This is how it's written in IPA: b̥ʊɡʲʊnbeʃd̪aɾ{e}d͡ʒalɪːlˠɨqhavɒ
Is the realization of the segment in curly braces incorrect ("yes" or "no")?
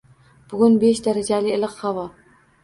yes